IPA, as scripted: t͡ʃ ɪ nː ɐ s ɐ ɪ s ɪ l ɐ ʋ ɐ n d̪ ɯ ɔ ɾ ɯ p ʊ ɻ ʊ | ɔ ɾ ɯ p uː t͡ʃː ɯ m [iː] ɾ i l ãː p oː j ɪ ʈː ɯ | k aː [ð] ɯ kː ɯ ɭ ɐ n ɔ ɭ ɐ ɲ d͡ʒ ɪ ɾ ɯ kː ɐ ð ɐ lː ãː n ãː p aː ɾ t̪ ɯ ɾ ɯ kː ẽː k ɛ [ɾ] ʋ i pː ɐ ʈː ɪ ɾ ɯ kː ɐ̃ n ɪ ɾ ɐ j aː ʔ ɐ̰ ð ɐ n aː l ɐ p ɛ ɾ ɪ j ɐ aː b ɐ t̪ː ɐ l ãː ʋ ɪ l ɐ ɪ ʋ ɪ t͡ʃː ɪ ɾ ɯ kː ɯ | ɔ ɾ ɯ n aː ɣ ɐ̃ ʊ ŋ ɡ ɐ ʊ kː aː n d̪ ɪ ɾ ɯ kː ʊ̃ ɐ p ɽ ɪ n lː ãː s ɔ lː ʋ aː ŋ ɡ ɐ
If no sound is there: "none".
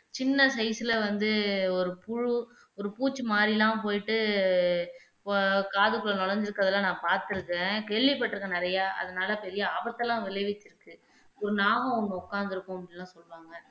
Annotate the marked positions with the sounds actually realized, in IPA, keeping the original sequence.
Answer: aː, ð, ɭ

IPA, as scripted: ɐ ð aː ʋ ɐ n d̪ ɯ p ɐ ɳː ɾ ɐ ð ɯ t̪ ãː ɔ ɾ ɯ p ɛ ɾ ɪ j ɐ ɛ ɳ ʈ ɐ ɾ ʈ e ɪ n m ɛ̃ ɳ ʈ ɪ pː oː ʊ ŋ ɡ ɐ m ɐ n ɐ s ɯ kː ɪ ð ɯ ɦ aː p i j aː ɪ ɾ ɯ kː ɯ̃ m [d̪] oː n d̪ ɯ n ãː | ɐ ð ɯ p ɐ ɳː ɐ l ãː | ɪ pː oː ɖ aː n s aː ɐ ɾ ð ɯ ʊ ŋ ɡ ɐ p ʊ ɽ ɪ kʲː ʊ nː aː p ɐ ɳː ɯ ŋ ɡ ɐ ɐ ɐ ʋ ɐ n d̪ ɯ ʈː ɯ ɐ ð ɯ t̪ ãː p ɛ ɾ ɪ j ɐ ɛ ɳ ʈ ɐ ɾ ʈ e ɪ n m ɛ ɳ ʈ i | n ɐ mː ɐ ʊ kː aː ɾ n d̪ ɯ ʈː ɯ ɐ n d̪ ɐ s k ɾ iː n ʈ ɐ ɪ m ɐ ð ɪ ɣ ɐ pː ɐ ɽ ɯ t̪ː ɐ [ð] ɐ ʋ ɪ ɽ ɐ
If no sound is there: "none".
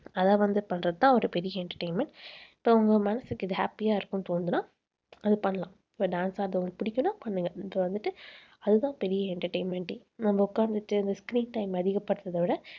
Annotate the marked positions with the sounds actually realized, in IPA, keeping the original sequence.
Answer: t̪, ð

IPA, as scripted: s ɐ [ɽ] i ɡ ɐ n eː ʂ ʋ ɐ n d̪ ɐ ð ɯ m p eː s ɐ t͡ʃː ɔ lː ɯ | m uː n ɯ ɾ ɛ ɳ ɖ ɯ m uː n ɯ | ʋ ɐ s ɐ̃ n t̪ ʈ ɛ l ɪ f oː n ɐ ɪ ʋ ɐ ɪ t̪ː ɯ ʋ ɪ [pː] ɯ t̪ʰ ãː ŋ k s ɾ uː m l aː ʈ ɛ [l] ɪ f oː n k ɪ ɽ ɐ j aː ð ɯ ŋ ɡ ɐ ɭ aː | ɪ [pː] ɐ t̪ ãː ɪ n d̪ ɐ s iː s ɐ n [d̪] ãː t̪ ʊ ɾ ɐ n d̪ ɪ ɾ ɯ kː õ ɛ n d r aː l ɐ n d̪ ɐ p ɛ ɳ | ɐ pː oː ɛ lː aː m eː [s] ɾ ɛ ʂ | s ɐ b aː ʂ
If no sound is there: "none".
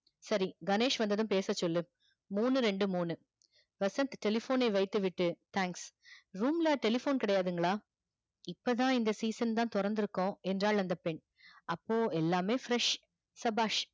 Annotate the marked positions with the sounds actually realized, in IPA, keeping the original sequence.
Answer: ɾ, ʈː, l, pː, t̪, f

